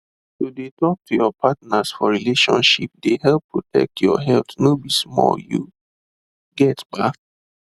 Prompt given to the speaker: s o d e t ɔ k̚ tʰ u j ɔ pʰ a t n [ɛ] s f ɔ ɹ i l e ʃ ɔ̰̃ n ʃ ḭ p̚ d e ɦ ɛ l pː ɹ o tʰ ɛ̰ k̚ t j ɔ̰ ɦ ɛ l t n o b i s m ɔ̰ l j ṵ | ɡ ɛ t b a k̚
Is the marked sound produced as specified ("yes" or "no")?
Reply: no